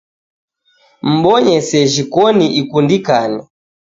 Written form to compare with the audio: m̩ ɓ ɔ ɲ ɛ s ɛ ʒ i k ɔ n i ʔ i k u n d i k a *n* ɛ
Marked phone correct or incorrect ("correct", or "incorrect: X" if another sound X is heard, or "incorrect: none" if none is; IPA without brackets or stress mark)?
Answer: correct